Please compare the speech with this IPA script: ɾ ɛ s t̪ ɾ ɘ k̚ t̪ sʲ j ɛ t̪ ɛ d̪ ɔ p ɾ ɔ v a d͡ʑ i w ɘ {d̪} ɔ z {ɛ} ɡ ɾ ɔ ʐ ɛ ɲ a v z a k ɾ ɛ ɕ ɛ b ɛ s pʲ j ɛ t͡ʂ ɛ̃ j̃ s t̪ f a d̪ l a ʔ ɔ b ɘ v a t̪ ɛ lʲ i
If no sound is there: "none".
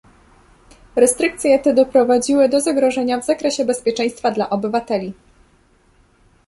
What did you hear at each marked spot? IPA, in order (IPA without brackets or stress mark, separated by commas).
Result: d̪, a